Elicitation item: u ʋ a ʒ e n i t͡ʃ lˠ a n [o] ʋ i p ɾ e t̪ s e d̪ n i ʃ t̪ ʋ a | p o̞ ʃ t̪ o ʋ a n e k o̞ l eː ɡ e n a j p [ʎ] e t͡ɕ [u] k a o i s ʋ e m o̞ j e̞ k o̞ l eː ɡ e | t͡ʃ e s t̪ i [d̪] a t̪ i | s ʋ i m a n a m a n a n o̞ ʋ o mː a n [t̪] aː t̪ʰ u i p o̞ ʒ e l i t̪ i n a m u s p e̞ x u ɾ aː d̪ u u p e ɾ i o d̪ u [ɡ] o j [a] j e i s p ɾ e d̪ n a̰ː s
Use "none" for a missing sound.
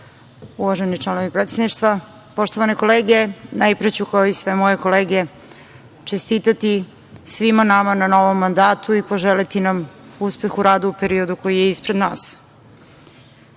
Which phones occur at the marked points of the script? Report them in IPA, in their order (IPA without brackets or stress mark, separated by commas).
o, ɾ, u, t̪, d̪, k, i